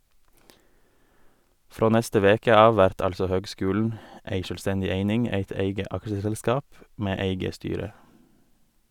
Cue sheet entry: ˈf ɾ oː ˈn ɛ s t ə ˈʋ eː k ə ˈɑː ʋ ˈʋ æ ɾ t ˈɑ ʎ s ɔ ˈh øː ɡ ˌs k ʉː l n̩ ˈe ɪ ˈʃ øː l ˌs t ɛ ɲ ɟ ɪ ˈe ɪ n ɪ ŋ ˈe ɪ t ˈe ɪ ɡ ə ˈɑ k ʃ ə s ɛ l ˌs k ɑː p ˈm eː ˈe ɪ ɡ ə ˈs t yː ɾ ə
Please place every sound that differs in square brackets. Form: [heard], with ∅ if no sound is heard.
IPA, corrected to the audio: ˈf ɾ oː ˈn ɛ s t ə ˈʋ eː k ə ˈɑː ʋ ˈʋ æ ɾ t ˈɑ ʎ s ɔ ˈh øː ɡ ˌs k ʉː l n̩ ˈe ɪ ˈʃ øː l ˌs t ɛ ɲ ɟ ɪ ˈe ɪ n ɪ ŋ ˈe ɪ t ˈe ɪ ɡ ə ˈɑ k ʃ ə s ɛ l ˌs k ɑː p ˈm eː ˈe ɪ ɡ ə ˈs t yː ɾ ə